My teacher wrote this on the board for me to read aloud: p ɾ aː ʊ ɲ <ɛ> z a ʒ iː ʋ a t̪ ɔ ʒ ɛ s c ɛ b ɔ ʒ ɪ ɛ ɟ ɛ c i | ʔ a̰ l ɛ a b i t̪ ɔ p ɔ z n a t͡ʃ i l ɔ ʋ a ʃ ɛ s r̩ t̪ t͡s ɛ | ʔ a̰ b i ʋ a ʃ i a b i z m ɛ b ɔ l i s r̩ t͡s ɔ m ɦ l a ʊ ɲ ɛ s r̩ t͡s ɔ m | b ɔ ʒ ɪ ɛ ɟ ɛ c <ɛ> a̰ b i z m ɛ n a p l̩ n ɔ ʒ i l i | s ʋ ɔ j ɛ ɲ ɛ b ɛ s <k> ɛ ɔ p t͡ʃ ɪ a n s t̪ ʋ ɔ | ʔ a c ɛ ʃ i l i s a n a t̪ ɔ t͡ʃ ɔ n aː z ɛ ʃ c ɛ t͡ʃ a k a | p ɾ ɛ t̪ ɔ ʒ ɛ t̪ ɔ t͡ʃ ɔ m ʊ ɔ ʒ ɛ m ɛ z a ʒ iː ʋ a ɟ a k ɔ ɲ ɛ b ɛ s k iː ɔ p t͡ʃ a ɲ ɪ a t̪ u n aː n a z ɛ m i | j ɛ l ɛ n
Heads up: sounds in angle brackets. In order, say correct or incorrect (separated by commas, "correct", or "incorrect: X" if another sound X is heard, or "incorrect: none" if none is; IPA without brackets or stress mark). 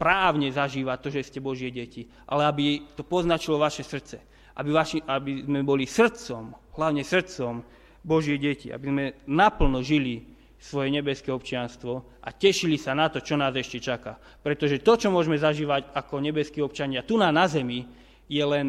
correct, incorrect: i, correct